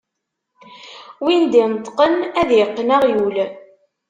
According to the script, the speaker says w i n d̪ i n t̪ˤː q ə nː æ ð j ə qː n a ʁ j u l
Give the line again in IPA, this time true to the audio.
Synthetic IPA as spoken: w i n d̪ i n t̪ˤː q ə n æ ð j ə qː n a ʁ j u l